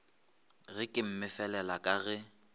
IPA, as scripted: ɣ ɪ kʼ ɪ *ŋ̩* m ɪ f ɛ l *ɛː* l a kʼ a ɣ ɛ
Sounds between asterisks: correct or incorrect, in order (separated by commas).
incorrect, incorrect